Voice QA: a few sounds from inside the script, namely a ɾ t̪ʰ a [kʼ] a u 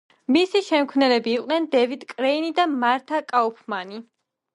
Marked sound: correct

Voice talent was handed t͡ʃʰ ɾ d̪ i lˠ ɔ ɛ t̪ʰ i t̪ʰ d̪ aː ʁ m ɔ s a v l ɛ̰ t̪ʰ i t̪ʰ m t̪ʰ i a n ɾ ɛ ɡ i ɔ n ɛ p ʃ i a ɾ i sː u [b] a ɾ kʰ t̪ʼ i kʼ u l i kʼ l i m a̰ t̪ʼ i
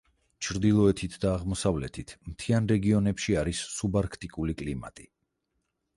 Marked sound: correct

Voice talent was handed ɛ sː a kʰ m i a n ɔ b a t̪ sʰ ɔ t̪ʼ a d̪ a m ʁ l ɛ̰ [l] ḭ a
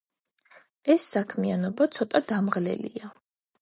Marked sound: correct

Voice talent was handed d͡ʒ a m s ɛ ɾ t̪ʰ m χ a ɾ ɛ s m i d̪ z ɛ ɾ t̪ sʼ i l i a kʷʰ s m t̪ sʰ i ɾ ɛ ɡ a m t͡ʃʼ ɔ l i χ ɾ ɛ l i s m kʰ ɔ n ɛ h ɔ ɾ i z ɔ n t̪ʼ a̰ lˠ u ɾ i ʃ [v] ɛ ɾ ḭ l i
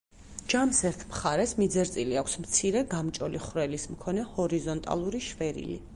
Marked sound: correct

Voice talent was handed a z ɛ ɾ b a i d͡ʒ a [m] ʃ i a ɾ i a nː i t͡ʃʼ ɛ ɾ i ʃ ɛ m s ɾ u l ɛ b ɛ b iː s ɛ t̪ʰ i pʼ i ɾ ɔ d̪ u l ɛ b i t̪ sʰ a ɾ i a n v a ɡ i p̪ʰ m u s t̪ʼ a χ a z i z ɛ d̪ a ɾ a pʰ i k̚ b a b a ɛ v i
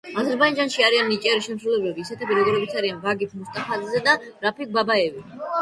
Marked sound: incorrect: n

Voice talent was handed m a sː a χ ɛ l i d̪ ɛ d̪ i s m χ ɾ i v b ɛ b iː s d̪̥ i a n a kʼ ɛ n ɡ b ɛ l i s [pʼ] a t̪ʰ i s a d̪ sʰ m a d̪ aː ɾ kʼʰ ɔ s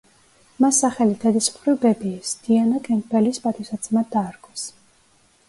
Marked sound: correct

